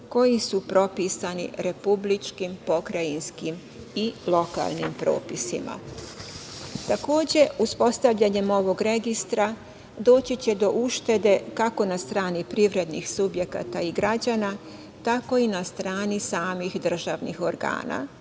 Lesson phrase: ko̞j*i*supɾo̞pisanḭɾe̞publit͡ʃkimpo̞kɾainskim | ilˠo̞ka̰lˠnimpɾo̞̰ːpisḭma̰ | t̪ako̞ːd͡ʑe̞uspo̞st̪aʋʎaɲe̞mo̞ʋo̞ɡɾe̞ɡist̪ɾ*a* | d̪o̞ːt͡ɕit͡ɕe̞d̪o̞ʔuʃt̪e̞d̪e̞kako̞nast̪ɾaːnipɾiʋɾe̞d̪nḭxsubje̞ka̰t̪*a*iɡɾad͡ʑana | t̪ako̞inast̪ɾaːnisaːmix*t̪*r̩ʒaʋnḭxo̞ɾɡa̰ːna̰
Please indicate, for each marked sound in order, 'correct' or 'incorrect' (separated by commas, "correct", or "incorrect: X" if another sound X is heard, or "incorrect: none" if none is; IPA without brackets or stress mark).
correct, correct, correct, incorrect: d̪